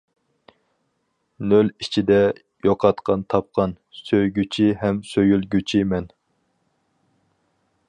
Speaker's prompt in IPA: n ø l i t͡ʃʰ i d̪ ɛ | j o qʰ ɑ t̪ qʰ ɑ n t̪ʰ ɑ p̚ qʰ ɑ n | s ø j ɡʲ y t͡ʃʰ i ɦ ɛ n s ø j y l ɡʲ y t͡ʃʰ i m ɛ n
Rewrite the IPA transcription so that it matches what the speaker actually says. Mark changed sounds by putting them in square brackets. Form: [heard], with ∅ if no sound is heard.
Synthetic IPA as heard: n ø l i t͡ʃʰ i d̪ ɛ | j o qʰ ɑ t̪ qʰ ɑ n t̪ʰ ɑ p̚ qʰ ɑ n | s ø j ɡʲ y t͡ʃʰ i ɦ ɛ [m] s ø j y l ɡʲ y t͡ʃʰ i m ɛ n